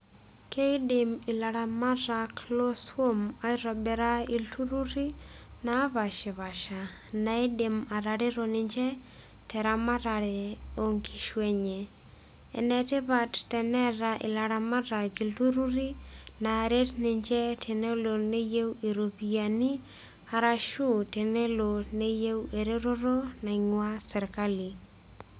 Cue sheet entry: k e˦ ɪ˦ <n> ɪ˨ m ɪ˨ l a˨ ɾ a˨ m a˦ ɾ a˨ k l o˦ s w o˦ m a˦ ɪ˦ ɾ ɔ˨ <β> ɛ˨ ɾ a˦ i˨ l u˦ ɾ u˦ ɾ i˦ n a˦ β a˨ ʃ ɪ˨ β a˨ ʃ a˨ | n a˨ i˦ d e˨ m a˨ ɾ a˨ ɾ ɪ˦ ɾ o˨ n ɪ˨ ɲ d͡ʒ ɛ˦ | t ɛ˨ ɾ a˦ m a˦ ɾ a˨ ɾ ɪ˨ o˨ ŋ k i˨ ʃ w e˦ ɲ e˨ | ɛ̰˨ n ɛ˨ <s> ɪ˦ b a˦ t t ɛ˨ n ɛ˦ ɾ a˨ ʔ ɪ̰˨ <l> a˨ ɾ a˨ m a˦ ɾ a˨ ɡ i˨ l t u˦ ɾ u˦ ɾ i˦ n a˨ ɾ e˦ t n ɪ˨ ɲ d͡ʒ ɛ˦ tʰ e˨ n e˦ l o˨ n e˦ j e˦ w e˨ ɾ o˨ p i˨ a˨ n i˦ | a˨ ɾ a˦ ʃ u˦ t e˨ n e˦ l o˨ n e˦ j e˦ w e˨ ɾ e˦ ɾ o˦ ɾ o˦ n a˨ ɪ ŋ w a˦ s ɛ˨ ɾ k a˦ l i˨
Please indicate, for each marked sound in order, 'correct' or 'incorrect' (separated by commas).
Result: incorrect, incorrect, incorrect, correct